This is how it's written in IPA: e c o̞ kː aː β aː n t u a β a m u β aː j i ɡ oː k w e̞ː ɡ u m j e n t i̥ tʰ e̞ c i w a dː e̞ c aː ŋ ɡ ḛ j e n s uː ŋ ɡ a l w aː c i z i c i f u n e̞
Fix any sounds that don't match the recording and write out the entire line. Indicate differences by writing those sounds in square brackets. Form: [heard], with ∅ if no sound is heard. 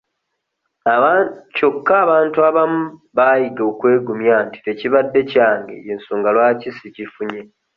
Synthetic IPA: [a] c o̞ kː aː β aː n t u a β a m u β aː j i ɡ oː k w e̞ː ɡ u m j [a] n t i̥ [t] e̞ c i [β] a dː e̞ c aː ŋ ɡ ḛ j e n s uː ŋ ɡ a l w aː c i [s] i c i f u [ɲ] e̞